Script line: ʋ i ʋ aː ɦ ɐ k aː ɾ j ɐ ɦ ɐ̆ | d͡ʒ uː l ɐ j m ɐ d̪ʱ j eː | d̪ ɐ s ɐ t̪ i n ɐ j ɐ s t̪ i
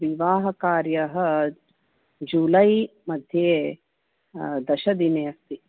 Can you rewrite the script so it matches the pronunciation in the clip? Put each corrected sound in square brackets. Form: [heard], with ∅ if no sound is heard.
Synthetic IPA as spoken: ʋ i ʋ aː ɦ ɐ k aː ɾ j ɐ ɦ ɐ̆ | d͡ʒ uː l ɐ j m ɐ d̪ʱ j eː | d̪ ɐ [ʃ] ɐ [d̪] i n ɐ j ɐ s t̪ i